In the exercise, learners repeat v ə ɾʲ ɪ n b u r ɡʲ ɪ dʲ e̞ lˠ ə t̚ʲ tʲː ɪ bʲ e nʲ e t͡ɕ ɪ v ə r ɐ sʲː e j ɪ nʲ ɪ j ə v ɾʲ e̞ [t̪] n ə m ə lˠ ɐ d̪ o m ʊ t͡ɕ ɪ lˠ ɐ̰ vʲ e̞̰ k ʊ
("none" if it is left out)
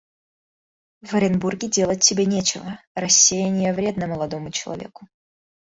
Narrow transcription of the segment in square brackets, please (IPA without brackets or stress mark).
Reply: d̪